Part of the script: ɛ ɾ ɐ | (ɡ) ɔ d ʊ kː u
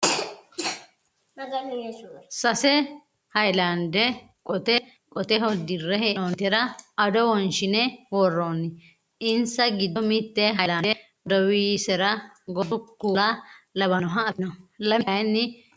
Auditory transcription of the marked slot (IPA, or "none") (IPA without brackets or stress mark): ɡ